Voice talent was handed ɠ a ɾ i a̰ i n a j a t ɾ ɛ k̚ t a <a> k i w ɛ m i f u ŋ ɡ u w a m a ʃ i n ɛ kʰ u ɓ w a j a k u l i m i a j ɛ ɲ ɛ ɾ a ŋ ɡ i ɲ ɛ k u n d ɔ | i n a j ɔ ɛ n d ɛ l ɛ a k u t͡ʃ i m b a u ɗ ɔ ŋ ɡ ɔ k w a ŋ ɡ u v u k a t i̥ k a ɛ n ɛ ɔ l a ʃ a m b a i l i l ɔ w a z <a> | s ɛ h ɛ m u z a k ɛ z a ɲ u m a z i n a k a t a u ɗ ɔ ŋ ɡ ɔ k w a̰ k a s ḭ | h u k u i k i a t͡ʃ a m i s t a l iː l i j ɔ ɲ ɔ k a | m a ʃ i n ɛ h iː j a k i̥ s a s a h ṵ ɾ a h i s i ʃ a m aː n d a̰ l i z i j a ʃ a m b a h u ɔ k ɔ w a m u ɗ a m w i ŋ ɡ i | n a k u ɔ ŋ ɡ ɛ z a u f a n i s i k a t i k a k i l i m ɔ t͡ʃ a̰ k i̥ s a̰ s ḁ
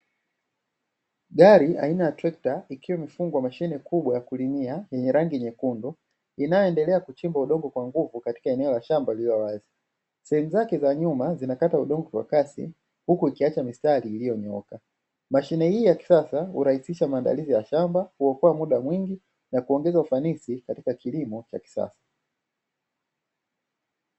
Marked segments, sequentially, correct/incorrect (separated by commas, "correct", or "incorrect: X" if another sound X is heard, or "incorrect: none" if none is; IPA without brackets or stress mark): incorrect: i, incorrect: i